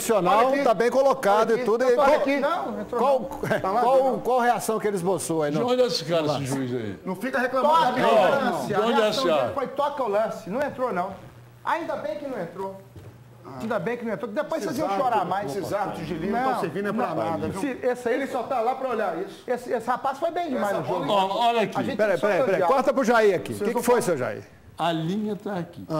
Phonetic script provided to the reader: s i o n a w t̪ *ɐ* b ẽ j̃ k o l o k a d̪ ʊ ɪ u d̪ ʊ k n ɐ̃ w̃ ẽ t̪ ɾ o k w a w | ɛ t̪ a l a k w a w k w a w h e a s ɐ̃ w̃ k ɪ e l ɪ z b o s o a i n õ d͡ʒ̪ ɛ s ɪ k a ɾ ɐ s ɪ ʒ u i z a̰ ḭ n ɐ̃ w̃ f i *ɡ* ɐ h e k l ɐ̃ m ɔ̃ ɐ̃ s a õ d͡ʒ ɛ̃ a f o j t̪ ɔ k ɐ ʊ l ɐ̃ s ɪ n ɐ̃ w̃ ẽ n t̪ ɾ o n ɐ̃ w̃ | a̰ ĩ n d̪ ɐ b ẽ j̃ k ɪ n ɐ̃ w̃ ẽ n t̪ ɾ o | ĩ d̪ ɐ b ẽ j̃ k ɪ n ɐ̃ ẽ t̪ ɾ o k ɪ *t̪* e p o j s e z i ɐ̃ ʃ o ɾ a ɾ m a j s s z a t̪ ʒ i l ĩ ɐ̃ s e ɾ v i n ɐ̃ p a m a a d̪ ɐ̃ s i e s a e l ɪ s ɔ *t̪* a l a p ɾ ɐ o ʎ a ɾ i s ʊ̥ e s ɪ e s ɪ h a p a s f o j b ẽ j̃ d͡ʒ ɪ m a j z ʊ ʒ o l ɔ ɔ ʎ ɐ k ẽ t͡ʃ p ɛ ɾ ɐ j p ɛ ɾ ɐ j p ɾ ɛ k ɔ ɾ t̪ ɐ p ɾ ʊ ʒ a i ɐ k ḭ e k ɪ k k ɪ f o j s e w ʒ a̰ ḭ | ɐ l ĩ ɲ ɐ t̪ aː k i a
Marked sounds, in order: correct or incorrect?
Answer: incorrect, incorrect, incorrect, correct

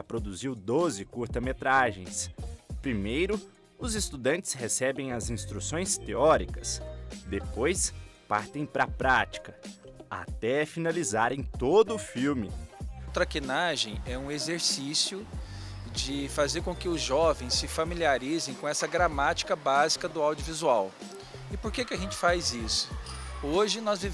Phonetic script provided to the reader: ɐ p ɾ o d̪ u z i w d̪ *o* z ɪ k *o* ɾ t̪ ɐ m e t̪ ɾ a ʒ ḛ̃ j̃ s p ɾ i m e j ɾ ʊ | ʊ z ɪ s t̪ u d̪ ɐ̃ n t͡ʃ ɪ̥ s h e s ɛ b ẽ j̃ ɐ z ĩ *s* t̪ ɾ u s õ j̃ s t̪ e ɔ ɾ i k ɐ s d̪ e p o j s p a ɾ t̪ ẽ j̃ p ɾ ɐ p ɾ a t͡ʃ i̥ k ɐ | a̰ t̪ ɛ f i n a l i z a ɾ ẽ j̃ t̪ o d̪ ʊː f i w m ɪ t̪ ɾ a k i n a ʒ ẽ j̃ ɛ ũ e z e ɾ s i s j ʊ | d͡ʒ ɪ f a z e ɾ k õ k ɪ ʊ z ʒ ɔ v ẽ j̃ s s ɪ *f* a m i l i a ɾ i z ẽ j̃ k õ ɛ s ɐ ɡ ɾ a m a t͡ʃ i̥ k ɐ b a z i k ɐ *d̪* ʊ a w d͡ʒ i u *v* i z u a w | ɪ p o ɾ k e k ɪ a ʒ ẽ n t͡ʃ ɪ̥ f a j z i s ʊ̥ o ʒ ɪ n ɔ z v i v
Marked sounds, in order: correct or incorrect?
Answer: correct, incorrect, correct, correct, correct, correct

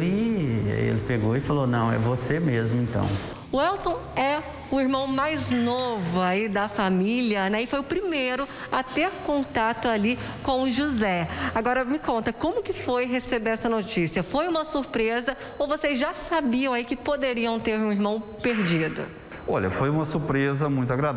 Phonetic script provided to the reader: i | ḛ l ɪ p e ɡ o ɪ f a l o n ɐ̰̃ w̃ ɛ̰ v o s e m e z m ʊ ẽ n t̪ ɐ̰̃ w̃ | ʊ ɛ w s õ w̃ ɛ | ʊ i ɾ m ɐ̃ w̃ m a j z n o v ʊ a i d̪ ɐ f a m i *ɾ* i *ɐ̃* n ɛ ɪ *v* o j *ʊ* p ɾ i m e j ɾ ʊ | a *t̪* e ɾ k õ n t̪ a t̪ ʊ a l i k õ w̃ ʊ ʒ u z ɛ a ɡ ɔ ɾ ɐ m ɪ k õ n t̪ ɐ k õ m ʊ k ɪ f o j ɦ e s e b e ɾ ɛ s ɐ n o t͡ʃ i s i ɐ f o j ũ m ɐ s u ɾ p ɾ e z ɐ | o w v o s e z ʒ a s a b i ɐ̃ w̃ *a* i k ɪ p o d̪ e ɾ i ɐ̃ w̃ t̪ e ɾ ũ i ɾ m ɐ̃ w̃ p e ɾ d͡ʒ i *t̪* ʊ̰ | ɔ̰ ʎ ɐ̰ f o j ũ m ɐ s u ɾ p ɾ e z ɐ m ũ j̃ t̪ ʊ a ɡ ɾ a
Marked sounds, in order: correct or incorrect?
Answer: incorrect, incorrect, incorrect, correct, correct, correct, incorrect

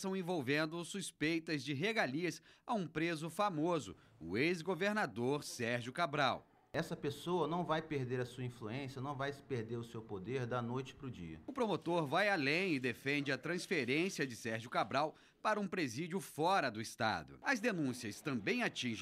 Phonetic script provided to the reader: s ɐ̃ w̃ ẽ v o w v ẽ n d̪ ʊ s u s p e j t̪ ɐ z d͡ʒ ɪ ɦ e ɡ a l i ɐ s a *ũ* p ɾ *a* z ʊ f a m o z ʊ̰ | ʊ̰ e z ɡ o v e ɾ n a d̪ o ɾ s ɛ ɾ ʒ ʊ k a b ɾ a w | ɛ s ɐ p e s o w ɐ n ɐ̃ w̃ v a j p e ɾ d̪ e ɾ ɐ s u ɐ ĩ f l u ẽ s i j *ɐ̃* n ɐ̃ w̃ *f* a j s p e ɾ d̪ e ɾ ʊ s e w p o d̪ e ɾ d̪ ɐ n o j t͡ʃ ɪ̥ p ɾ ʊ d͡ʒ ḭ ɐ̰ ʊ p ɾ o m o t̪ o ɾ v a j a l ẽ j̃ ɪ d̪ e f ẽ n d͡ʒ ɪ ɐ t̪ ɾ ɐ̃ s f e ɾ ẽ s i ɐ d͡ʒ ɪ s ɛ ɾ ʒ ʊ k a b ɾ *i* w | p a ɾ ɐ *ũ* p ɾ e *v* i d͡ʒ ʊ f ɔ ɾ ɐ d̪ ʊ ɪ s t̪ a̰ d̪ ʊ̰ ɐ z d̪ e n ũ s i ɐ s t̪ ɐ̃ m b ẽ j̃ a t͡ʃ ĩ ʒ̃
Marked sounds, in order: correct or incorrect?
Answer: correct, incorrect, incorrect, incorrect, incorrect, correct, incorrect

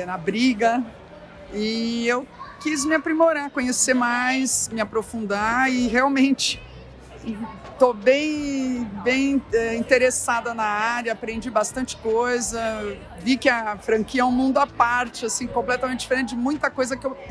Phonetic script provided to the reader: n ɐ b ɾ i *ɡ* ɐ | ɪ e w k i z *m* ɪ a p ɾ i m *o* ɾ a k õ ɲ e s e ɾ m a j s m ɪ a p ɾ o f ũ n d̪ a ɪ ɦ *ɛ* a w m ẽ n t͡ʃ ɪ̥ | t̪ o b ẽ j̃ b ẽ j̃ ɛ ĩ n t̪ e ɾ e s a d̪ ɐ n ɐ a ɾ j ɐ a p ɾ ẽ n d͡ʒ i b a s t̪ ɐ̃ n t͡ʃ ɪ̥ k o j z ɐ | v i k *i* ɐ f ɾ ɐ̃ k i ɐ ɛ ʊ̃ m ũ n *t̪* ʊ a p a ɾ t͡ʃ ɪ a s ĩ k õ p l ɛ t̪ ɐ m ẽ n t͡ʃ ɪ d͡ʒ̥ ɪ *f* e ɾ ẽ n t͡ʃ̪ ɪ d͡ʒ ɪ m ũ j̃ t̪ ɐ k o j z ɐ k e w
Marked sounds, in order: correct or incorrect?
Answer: correct, correct, correct, incorrect, incorrect, incorrect, correct

